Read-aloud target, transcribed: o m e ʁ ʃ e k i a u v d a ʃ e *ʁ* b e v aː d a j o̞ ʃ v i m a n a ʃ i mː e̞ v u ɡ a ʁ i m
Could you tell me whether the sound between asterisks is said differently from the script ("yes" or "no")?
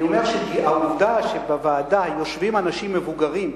yes